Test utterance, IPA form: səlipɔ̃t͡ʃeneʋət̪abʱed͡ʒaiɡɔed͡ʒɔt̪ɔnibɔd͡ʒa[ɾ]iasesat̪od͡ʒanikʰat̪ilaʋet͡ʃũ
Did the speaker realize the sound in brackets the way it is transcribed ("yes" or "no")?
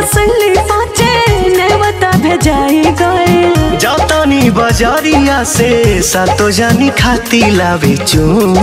yes